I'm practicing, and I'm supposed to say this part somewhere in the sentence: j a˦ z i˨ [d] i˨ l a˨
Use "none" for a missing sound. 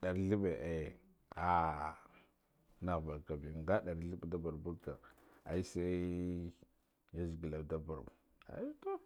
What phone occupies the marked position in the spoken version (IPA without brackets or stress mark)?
ɡ